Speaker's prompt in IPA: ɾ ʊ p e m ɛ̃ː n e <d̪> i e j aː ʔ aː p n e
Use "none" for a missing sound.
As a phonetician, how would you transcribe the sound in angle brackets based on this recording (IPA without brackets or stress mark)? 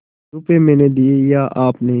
d̪